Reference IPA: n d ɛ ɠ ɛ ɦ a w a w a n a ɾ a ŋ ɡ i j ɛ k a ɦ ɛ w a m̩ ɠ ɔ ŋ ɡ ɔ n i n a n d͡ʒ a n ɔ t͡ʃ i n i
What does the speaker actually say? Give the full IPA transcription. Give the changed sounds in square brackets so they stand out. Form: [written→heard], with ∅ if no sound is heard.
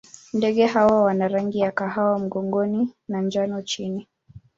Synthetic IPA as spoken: n d ɛ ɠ ɛ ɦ a w a w a n a ɾ a ŋ ɡ i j [ɛ→a] k a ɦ [ɛ→a] w a m̩ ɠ ɔ ŋ ɡ ɔ n i n a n d͡ʒ a n ɔ t͡ʃ i n i